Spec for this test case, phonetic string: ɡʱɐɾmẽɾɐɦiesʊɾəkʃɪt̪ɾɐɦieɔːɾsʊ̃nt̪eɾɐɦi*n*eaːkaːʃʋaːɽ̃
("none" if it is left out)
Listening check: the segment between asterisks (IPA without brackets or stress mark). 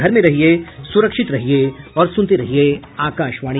none